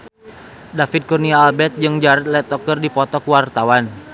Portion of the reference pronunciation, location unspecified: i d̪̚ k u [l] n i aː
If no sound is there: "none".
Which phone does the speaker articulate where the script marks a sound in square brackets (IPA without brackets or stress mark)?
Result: r